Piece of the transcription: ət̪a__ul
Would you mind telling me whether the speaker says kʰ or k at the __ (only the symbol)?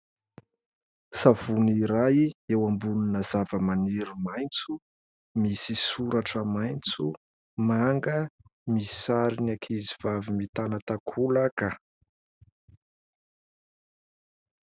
kʰ